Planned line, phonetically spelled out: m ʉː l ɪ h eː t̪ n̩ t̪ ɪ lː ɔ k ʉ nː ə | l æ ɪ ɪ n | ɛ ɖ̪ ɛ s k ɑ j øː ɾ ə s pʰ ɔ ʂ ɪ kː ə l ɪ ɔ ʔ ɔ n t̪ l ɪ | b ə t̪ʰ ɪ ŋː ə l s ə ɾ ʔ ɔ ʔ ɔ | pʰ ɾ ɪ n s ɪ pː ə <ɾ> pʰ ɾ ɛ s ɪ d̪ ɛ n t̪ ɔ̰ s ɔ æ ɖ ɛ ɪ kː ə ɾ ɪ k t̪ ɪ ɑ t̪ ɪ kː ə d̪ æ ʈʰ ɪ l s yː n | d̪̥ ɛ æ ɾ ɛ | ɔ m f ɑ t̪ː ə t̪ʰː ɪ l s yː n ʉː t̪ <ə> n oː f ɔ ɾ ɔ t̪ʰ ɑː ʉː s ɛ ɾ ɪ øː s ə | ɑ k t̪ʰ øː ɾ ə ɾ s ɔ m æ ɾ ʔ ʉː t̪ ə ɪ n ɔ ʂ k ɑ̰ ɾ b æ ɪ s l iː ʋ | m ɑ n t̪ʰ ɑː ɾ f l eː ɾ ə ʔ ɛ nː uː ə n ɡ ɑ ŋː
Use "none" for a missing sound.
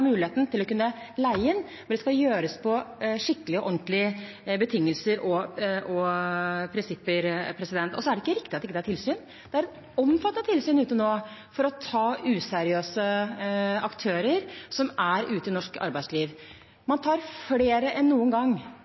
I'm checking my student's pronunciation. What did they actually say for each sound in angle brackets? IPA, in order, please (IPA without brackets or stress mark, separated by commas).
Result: ɾ, ə